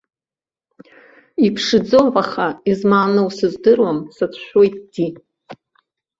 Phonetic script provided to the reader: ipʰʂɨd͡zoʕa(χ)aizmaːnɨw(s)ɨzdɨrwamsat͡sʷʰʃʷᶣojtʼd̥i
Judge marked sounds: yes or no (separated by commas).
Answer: yes, yes